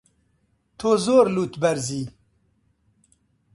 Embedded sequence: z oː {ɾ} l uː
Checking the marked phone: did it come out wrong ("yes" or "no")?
no